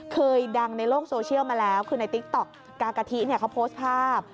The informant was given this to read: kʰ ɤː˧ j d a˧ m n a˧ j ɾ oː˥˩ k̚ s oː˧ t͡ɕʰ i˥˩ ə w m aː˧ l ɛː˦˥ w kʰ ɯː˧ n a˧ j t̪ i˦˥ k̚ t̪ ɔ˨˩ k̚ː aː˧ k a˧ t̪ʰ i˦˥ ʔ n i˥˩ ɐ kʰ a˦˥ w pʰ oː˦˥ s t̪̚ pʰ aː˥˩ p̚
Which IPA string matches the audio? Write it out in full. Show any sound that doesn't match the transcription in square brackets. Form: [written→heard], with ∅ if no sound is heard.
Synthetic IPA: kʰ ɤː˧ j d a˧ [m→ŋ] n a˧ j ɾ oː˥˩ k̚ s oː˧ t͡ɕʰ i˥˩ ə w m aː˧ l ɛː˦˥ w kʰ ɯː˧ n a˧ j t̪ i˦˥ k̚ t̪ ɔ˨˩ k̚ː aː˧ k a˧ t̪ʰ i˦˥ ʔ n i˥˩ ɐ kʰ a˦˥ w pʰ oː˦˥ s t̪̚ pʰ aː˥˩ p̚